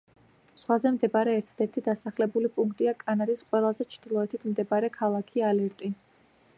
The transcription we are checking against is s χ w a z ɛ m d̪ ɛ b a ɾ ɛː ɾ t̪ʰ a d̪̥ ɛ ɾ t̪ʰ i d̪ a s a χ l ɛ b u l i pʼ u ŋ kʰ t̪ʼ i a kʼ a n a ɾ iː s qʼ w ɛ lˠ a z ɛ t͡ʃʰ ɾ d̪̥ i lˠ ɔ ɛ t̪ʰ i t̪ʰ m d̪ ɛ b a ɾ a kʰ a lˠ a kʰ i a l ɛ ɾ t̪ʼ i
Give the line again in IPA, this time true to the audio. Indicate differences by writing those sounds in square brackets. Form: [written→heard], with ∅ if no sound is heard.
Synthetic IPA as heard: s χ w a z ɛ m d̪ ɛ b a ɾ ɛː ɾ t̪ʰ a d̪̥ ɛ ɾ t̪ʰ i d̪ a s a χ l ɛ b u l i pʼ u ŋ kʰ t̪ʼ i a kʼ a n a ɾ [iː→i] s qʼ w ɛ lˠ a z ɛ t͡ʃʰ ɾ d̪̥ i lˠ ɔ ɛ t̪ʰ i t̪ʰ m d̪ ɛ b a ɾ [a→ɛ] kʰ a lˠ a kʰ i a l ɛ ɾ t̪ʼ i

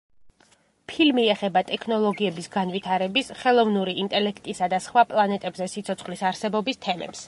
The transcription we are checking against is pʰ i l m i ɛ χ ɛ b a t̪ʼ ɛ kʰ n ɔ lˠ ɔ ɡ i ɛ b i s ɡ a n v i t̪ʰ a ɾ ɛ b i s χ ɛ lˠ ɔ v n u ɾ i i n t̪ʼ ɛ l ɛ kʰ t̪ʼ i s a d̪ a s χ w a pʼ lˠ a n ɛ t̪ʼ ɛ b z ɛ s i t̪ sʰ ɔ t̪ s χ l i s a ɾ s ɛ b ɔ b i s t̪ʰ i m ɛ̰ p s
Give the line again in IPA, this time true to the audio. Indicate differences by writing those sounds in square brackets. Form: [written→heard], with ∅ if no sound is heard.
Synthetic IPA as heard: pʰ i l m i ɛ χ ɛ b a t̪ʼ ɛ kʰ n ɔ lˠ ɔ ɡ i ɛ b i s ɡ a n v i t̪ʰ a ɾ ɛ b i s χ ɛ lˠ ɔ v n u ɾ i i n t̪ʼ ɛ l ɛ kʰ t̪ʼ i s a d̪ a s χ w a pʼ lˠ a n ɛ t̪ʼ ɛ b z ɛ s i t̪ sʰ ɔ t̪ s χ l i s a ɾ s ɛ b ɔ b i s t̪ʰ [i→ɛ] m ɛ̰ p s

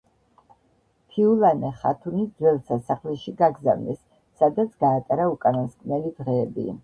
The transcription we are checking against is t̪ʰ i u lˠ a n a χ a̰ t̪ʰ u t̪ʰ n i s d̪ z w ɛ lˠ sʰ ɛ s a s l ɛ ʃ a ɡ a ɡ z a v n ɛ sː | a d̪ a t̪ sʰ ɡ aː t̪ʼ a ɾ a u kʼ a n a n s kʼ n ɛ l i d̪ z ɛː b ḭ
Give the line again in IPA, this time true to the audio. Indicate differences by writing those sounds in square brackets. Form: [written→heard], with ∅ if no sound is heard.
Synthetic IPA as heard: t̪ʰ i u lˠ a n [a→ɛ] χ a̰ t̪ʰ u [t̪ʰ→∅] n i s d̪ z w ɛ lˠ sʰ [ɛ→a] s a [s→χ] l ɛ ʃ [a→i] ɡ a ɡ z a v n ɛ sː | a d̪ a t̪ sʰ ɡ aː t̪ʼ a ɾ a u kʼ a n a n s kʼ n ɛ l i d̪ [z→ʁ] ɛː b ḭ

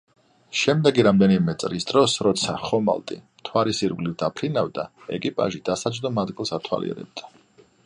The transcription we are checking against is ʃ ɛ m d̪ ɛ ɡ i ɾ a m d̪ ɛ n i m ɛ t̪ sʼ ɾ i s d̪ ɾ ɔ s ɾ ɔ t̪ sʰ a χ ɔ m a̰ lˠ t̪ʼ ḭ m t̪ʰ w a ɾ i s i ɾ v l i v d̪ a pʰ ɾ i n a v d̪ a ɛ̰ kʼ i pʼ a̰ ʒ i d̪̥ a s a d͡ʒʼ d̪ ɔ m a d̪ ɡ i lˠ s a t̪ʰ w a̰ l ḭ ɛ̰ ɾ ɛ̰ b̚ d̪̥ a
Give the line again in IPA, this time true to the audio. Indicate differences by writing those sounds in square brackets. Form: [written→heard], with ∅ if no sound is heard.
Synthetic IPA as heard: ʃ ɛ m d̪ ɛ ɡ i ɾ a m d̪ ɛ n i m ɛ t̪ sʼ ɾ i s d̪ ɾ ɔ s ɾ ɔ t̪ sʰ a χ ɔ m a̰ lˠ t̪ʼ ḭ m t̪ʰ w a ɾ i s i ɾ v l i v d̪ a pʰ ɾ i n a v d̪ a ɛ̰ kʼ i pʼ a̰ ʒ i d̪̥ a s a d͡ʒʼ d̪ ɔ m a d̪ ɡ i lˠ s a t̪ʰ w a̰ l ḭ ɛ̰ ɾ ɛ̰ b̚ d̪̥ a

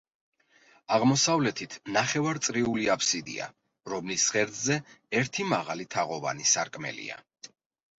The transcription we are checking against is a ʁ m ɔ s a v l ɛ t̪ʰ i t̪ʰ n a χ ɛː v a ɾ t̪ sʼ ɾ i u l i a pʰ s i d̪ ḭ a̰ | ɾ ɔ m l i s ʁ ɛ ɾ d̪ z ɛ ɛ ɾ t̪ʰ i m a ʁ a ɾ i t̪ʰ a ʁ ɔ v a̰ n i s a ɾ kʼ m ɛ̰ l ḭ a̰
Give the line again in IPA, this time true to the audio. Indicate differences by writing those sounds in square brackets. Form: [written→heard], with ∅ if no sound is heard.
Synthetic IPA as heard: a ʁ m ɔ s a v l ɛ t̪ʰ i t̪ʰ n a χ [ɛː→ɛ] v a ɾ t̪ sʼ ɾ i u l i a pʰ s i d̪ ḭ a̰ | ɾ ɔ m l i s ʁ ɛ ɾ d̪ z ɛ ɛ ɾ t̪ʰ i m a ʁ a [ɾ→l] i t̪ʰ a ʁ ɔ v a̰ n i s a ɾ kʼ m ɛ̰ l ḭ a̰

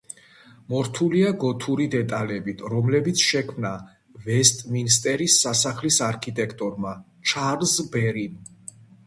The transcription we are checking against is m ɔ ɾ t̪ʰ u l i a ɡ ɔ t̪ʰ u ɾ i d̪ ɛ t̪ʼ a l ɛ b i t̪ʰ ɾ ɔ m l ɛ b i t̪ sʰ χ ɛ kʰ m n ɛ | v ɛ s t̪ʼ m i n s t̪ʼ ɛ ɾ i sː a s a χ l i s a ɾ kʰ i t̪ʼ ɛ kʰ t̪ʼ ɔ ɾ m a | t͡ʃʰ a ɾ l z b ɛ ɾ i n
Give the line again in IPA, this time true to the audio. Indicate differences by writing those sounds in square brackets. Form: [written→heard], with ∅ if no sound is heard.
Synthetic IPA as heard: m ɔ ɾ t̪ʰ u l i a ɡ ɔ t̪ʰ u ɾ i d̪ ɛ t̪ʼ a l ɛ b i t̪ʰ ɾ ɔ m l ɛ b i t̪ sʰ [χ→ʃ] ɛ kʰ m n [ɛ→a] | v ɛ s t̪ʼ m i n s t̪ʼ ɛ ɾ i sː a s a χ l i s a ɾ kʰ i t̪ʼ ɛ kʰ t̪ʼ ɔ ɾ m a | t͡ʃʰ a ɾ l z b ɛ ɾ i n

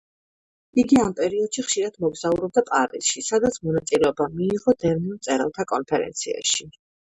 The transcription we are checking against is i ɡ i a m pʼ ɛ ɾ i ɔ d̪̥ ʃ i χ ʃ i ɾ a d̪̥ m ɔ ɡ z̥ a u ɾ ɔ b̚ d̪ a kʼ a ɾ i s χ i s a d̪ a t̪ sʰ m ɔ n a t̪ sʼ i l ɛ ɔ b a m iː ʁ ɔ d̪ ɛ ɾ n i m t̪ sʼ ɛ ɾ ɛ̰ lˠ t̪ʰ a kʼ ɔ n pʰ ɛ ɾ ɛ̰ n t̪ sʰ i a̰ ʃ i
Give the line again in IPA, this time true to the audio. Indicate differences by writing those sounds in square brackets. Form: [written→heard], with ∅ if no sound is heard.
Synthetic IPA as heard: i ɡ i a m pʼ ɛ ɾ i ɔ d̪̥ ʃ i χ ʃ i ɾ a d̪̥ m ɔ ɡ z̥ a u ɾ ɔ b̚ d̪ a [kʼ→pʼ] a ɾ i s [χ→ʃ] i s a d̪ a t̪ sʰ m ɔ n a t̪ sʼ i l ɛ ɔ b a m iː ʁ ɔ d̪ ɛ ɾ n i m t̪ sʼ ɛ ɾ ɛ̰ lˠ t̪ʰ a kʼ ɔ n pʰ ɛ ɾ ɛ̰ n t̪ sʰ i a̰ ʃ i

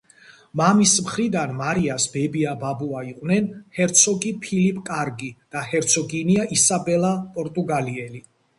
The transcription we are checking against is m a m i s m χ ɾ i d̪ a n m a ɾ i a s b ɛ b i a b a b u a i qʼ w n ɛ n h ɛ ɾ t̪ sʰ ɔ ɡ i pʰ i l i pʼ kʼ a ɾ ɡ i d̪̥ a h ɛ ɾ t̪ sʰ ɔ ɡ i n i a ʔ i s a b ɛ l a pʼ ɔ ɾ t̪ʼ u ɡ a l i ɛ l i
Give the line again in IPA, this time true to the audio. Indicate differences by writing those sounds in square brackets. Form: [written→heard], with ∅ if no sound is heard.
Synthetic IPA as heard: m a m i s m χ ɾ i d̪ a n m a ɾ i a s b ɛ b i a b a b u a i qʼ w n ɛ n h ɛ ɾ t̪ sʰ ɔ ɡ i pʰ i l i pʼ kʼ a ɾ ɡ i d̪̥ a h ɛ ɾ t̪ sʰ ɔ ɡ i n i a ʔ i s a b ɛ l a pʼ ɔ ɾ t̪ʼ u ɡ a l i ɛ l i

